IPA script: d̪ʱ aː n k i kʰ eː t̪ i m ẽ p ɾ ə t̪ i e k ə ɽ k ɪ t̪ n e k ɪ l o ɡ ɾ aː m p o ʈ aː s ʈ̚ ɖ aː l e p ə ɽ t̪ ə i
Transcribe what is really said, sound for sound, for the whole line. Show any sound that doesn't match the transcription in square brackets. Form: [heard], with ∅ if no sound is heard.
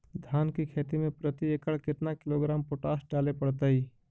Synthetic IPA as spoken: d̪ʱ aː n k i kʰ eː t̪ i m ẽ p ɾ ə t̪ i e k ə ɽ k ɪ t̪ n [a] k ɪ l o ɡ ɾ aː m p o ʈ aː s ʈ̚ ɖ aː l e p ə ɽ t̪ ə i